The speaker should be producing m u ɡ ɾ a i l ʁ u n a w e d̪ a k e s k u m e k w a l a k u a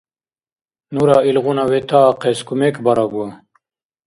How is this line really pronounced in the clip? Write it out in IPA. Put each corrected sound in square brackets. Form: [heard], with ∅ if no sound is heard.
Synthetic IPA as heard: [n] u [∅] ɾ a i l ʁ u n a w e [t̪] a [q] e s k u m e k [b] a [ɾ] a [ɡ] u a